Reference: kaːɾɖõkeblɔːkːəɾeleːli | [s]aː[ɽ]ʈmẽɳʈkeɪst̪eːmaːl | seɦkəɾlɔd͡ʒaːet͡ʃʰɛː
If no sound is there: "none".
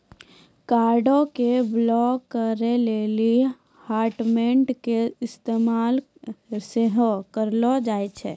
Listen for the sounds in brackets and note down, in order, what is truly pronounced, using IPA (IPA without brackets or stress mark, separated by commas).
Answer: h, ɾ